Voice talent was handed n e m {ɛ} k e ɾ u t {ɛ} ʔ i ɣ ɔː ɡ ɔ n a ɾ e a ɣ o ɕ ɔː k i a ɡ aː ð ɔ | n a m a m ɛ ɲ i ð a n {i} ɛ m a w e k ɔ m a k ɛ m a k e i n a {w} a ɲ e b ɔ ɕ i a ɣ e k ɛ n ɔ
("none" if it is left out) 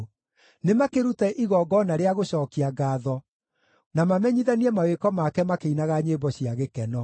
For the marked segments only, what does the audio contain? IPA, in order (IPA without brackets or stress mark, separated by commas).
a, ɛ, i, ɣ